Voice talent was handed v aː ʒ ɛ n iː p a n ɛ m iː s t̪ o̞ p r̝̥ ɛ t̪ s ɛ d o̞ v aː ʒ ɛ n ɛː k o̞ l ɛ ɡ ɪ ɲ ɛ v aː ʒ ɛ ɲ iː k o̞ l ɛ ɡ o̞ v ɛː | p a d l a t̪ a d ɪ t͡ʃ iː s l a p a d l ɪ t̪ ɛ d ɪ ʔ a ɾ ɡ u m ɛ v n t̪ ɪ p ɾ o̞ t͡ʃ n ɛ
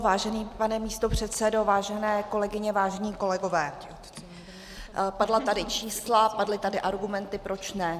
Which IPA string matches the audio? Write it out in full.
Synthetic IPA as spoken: v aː ʒ ɛ n iː p a n ɛ m iː s t̪ o̞ p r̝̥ ɛ t̪ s ɛ d o̞ v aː ʒ ɛ n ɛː k o̞ l ɛ ɡ ɪ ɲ ɛ v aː ʒ ɛ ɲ iː k o̞ l ɛ ɡ o̞ v ɛː | p a d l a t̪ a d ɪ t͡ʃ iː s l a p a d l ɪ t̪ a d ɪ ʔ a ɾ ɡ u m ɛ n t̪ ɪ p ɾ o̞ t͡ʃ n ɛ